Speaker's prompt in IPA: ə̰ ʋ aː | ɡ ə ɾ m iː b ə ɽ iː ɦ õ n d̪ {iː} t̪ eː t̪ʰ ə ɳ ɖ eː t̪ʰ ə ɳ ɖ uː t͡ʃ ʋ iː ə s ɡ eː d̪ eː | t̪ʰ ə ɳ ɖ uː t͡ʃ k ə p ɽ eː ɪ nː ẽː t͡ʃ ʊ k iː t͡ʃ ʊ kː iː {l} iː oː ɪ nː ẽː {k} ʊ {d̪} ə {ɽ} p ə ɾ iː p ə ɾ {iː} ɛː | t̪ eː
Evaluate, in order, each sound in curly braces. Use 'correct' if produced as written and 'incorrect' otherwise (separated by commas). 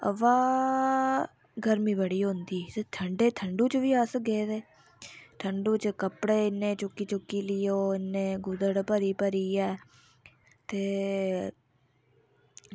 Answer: correct, correct, incorrect, correct, correct, correct